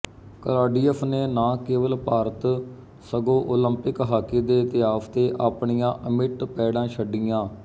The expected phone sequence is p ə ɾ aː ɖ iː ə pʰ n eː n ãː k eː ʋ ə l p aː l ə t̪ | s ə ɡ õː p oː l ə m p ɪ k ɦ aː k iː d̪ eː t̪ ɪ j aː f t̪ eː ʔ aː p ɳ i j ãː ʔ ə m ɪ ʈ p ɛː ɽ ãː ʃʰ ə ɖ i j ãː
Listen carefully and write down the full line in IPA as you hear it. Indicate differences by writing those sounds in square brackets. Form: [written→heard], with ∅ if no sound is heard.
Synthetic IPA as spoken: [p→k] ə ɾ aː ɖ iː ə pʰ n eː n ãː k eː ʋ ə l p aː [l→ɾ] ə t̪ | s ə ɡ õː [p→ʔ] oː l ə m p ɪ k ɦ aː k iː d̪ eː t̪ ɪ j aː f t̪ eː ʔ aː p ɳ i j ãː ʔ ə m ɪ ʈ p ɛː ɽ ãː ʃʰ ə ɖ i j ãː